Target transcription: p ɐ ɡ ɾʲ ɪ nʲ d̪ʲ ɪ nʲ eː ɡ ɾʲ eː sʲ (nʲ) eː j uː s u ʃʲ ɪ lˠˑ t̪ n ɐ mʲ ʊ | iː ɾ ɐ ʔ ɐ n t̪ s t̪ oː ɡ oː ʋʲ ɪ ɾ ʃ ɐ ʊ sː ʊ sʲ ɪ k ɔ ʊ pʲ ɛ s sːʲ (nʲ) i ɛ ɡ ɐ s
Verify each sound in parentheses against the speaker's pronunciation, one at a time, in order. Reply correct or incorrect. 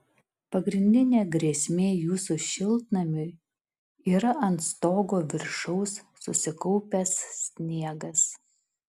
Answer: incorrect: mʲ, correct

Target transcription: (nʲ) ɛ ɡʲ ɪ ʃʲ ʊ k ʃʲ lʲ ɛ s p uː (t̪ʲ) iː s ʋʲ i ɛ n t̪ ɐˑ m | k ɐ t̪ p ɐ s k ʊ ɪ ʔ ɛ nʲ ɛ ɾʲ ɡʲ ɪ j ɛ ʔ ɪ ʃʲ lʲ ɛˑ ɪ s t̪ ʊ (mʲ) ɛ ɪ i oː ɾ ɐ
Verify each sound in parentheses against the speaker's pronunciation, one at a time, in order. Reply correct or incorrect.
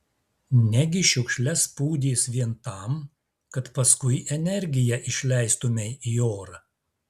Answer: correct, incorrect: d̪ʲ, correct

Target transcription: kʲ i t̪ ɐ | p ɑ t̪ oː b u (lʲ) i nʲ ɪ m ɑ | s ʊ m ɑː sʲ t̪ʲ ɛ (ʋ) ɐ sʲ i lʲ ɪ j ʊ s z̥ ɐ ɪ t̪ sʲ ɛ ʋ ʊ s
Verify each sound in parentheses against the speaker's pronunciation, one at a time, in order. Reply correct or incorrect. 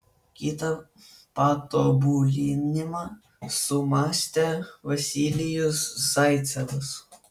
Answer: correct, correct

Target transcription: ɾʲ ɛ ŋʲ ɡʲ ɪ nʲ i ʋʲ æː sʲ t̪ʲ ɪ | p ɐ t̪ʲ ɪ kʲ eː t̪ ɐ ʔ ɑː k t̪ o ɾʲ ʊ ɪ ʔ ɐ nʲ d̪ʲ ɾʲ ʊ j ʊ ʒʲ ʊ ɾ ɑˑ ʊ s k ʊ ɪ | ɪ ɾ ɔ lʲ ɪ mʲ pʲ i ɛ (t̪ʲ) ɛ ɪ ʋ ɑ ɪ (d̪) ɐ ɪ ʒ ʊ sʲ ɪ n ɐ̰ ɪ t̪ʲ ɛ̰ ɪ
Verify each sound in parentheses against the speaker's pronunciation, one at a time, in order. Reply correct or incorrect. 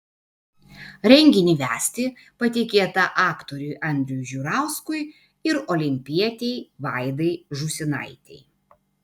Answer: correct, correct

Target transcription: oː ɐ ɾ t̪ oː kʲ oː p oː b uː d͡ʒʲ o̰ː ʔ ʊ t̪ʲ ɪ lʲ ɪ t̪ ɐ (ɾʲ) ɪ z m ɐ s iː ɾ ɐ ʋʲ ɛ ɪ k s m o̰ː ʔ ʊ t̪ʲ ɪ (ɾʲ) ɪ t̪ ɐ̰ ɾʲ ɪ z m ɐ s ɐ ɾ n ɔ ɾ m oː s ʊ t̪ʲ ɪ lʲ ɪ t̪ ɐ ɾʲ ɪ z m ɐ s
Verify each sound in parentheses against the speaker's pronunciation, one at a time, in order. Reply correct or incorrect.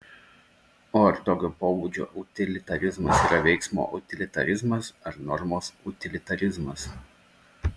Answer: correct, incorrect: lʲ

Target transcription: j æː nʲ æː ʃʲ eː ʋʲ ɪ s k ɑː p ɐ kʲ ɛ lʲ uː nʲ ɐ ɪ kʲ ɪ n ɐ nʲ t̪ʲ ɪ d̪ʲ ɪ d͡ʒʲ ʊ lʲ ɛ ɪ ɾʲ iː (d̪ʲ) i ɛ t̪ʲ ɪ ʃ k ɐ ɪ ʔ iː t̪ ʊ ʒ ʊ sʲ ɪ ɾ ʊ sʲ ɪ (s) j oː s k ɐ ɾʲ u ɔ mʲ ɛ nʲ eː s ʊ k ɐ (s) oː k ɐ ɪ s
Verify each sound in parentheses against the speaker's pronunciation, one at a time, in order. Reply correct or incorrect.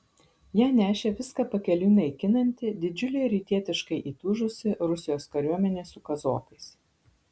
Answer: incorrect: t̪ʲ, incorrect: none, incorrect: z

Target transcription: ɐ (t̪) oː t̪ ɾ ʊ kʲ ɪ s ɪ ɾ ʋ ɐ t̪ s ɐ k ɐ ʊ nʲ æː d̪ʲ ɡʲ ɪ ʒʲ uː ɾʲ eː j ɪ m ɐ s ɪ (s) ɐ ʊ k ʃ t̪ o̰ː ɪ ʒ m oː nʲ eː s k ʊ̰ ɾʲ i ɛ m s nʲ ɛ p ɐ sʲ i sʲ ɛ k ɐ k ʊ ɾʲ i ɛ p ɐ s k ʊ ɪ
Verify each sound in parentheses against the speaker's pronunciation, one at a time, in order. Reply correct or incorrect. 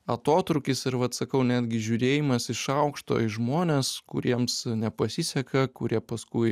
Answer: correct, incorrect: ʃ

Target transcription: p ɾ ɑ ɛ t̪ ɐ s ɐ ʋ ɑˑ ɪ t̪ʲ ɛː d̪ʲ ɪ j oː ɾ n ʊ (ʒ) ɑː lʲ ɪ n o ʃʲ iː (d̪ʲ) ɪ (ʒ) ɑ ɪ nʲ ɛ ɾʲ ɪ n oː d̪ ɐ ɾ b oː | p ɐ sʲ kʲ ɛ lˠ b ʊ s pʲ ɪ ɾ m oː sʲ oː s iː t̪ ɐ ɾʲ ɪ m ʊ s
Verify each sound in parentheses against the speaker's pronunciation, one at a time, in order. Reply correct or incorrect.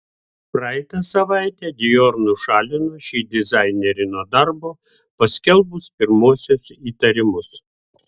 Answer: incorrect: ʃ, correct, incorrect: z

